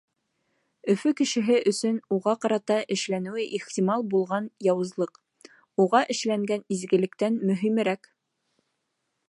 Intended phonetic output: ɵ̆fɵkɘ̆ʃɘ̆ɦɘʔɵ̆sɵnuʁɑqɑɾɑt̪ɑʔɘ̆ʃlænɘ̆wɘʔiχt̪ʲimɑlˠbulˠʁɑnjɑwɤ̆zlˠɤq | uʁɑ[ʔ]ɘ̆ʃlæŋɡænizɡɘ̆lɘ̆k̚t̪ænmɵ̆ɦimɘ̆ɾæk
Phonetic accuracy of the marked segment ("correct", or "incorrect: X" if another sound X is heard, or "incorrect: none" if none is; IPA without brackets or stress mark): correct